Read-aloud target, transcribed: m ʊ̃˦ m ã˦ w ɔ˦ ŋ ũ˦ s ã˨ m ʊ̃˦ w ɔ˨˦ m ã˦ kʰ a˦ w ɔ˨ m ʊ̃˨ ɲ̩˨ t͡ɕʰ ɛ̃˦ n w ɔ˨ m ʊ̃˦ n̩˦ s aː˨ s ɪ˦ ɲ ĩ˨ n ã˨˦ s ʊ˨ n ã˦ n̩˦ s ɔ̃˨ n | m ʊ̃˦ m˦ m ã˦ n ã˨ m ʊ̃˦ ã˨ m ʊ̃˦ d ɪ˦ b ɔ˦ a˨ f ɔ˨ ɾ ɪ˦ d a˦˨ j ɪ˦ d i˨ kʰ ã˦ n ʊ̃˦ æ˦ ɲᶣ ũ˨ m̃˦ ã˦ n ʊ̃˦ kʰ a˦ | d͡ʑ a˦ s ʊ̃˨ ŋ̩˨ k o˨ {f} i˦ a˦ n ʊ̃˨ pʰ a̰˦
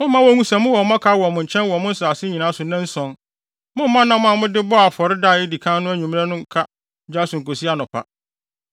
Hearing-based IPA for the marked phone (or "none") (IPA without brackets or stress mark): s